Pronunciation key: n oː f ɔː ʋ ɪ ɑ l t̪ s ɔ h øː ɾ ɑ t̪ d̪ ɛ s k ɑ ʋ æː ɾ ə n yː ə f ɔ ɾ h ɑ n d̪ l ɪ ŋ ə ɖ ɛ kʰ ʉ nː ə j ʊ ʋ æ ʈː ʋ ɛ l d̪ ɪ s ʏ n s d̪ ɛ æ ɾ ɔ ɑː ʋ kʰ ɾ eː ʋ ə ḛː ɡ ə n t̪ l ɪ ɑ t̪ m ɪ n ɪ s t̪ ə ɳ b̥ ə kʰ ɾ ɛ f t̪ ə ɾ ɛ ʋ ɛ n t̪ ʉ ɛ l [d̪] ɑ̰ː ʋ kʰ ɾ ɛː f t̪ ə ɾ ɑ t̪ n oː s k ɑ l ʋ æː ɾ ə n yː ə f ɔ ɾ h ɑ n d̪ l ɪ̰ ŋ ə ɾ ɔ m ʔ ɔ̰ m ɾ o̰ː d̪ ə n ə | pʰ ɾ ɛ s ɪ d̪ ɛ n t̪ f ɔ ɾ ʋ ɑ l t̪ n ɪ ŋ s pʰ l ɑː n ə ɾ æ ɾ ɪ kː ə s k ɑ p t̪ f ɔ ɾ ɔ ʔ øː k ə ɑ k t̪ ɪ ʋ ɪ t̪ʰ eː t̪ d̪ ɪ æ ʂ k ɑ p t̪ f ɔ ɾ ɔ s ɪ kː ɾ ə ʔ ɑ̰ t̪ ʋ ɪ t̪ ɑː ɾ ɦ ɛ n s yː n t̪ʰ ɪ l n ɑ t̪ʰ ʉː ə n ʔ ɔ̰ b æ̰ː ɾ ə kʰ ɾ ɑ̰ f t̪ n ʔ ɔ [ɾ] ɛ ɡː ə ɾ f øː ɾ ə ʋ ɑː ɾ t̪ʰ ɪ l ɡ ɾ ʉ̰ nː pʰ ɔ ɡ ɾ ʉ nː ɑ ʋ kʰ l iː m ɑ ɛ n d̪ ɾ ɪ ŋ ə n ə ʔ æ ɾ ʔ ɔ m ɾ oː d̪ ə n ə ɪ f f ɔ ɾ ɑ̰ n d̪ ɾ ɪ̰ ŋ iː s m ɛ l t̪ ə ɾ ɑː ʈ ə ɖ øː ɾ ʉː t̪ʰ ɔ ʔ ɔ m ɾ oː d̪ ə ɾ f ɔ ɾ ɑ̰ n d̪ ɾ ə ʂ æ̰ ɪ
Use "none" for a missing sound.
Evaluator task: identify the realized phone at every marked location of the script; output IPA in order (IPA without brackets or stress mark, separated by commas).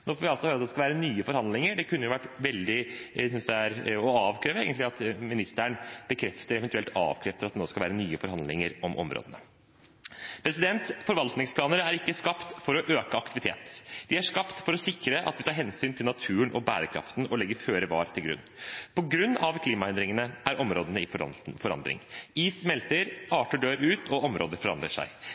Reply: t̪, l